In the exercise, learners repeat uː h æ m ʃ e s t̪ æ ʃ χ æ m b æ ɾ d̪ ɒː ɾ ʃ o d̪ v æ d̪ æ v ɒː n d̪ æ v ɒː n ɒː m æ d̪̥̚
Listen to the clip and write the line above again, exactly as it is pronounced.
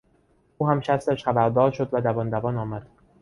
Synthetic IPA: uː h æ m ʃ æ s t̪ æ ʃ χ æ b æ ɾ d̪ ɒː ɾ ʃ o d̪ v æ d̪ æ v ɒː n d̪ æ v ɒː n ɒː m æ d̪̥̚